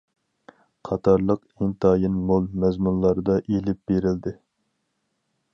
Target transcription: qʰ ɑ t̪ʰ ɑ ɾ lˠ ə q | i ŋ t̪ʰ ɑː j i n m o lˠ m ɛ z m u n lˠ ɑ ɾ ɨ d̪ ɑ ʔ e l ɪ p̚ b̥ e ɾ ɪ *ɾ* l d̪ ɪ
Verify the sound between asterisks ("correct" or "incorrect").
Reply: incorrect